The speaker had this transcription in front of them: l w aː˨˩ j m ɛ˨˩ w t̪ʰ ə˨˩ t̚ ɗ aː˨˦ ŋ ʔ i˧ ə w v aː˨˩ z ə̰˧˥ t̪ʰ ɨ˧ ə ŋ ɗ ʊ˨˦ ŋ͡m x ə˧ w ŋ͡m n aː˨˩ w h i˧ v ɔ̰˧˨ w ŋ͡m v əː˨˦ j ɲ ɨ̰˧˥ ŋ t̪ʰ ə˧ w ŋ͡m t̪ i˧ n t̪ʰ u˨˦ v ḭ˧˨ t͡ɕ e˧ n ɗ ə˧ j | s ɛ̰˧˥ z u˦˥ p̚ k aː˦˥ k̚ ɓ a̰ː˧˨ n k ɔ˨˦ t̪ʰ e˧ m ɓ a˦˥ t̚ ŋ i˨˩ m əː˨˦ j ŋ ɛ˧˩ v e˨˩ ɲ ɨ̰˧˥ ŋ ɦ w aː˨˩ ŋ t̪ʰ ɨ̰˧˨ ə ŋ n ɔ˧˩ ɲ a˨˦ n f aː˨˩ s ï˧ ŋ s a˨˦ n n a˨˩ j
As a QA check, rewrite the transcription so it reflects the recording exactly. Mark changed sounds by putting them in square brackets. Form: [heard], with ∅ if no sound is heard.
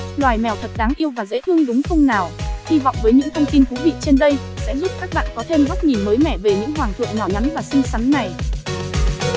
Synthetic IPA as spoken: l w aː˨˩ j m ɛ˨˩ w t̪ʰ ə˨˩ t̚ ɗ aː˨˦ ŋ ʔ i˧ ə w v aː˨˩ z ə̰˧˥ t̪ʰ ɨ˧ ə ŋ ɗ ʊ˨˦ ŋ͡m x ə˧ w ŋ͡m n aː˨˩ w h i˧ v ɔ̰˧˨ w ŋ͡m v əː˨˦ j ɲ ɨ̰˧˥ ŋ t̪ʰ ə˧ w ŋ͡m t̪ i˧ n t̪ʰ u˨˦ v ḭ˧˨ t͡ɕ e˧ n ɗ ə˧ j | s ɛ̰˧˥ z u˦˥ p̚ k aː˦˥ k̚ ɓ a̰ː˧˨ n k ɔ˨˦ t̪ʰ e˧ m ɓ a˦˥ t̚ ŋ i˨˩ m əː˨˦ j [m] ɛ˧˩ v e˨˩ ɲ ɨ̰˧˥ ŋ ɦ w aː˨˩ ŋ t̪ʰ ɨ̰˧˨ ə ŋ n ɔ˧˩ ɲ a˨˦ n [v] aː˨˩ s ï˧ ŋ s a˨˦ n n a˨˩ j

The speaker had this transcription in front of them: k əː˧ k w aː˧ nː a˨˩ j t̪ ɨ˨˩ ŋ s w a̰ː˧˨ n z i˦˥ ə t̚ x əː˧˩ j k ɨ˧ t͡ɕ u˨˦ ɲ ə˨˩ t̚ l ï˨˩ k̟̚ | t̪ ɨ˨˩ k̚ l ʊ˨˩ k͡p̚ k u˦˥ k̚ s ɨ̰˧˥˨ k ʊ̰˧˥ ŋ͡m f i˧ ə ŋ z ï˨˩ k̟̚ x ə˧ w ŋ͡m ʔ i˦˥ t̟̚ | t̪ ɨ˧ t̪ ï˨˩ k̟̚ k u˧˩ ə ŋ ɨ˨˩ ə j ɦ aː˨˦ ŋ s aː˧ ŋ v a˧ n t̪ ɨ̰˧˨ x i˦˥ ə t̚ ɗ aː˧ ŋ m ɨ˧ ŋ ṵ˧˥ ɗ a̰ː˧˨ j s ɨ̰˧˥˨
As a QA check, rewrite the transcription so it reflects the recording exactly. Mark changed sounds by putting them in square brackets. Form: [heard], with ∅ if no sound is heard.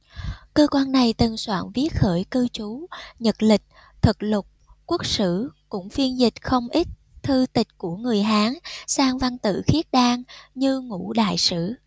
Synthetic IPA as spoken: k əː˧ k w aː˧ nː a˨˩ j t̪ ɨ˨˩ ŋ s w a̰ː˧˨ n [v] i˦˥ ə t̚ x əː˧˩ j k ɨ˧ t͡ɕ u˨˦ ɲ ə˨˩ t̚ l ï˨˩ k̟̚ | [t̪ʰ] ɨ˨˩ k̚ l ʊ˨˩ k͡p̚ k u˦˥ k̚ s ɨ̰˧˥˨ k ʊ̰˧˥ ŋ͡m f i˧ ə [n] z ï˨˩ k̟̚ x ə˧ w ŋ͡m ʔ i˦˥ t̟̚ | [t̪ʰ] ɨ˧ t̪ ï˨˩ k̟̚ k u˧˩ ə ŋ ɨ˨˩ ə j ɦ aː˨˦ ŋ s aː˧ ŋ v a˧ n t̪ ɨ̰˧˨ x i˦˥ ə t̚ ɗ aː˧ ŋ [ɲ] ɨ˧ ŋ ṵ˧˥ ɗ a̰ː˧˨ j s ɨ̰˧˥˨

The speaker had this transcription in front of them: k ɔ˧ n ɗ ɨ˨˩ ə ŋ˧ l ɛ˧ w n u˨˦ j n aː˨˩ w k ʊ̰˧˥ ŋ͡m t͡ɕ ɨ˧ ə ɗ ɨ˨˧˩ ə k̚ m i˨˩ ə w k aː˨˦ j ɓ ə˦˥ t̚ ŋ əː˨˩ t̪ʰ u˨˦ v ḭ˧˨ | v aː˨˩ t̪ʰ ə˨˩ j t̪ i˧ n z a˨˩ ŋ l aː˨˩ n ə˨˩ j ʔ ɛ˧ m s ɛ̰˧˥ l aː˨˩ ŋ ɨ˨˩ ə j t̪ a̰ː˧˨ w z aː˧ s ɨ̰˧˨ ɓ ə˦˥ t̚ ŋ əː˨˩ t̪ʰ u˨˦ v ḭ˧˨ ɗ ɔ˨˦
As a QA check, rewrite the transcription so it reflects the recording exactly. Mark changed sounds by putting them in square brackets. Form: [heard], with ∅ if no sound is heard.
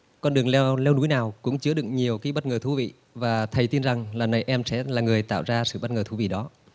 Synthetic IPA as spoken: k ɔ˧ n ɗ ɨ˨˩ ə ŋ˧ l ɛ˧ w n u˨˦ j n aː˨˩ w k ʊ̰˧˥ ŋ͡m t͡ɕ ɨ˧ ə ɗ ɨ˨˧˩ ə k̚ [ɲ] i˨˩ ə w k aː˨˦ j ɓ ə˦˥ t̚ ŋ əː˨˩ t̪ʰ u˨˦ v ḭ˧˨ | v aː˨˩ t̪ʰ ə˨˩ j t̪ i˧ n z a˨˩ ŋ l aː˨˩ n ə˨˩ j ʔ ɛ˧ m s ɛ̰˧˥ l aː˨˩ ŋ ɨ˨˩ ə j t̪ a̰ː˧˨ w z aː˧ s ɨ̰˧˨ ɓ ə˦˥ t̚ ŋ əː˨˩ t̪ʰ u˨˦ v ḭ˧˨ ɗ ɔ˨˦

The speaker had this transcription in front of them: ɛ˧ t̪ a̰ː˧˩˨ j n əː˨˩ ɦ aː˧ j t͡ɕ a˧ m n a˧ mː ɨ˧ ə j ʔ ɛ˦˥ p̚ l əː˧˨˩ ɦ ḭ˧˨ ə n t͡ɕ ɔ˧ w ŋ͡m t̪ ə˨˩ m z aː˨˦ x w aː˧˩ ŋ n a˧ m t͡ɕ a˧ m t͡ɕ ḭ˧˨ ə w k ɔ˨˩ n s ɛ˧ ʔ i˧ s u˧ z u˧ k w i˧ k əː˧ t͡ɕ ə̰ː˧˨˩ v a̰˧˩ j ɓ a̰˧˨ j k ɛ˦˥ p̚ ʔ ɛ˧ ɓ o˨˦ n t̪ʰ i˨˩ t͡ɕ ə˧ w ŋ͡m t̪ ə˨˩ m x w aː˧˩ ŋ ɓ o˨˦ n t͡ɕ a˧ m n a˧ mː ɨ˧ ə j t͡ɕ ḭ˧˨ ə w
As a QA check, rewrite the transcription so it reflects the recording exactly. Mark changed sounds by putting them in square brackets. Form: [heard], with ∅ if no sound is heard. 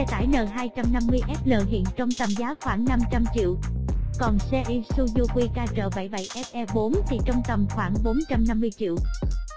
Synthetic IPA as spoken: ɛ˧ t̪ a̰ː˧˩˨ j n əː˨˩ ɦ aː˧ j t͡ɕ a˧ m n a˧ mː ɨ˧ ə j ʔ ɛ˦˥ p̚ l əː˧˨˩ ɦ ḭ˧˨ ə n t͡ɕ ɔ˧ w ŋ͡m t̪ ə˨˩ m z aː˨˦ x w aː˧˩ ŋ n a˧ m t͡ɕ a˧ m t͡ɕ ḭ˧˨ ə w k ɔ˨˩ n s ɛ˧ ʔ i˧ s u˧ z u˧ k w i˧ k [aː˧] t͡ɕ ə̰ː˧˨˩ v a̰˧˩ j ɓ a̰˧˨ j [ʔ] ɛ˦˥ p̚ ʔ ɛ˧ ɓ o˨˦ n t̪ʰ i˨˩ t͡ɕ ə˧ w ŋ͡m t̪ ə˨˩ m x w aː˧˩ ŋ ɓ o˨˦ n t͡ɕ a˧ m n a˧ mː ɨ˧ ə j t͡ɕ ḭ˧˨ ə w

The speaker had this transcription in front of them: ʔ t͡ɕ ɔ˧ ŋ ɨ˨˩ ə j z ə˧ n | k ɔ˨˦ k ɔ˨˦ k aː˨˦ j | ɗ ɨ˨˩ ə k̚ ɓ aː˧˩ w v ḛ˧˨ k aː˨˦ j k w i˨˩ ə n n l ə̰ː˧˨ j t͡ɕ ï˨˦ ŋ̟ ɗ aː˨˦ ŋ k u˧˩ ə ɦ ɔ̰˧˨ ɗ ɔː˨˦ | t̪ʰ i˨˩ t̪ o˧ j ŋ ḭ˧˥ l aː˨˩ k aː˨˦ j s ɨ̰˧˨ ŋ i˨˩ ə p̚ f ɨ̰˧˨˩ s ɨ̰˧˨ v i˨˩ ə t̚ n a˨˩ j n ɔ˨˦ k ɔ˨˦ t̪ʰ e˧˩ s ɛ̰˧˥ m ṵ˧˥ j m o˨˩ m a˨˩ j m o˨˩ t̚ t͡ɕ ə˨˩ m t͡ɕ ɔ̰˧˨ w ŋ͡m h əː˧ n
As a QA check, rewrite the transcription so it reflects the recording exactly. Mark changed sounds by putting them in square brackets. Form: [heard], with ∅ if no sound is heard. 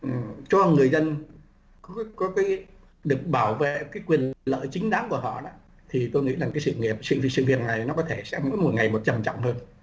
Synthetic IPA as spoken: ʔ t͡ɕ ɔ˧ ŋ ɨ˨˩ ə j z ə˧ n | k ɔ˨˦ k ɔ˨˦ k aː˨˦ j | ɗ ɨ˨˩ ə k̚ ɓ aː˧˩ w v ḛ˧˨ k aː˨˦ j k w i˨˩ ə n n l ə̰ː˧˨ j t͡ɕ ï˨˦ ŋ̟ ɗ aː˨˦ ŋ k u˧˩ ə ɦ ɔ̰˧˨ ɗ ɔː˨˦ | t̪ʰ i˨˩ t̪ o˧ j ŋ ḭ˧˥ l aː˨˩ k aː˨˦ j s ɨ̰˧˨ ŋ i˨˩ ə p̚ [s] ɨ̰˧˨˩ s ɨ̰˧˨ v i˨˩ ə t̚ n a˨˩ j n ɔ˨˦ k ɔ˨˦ t̪ʰ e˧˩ s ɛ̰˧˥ m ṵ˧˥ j m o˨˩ [ŋ] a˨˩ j m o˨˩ t̚ t͡ɕ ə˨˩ m t͡ɕ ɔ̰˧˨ w ŋ͡m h əː˧ n

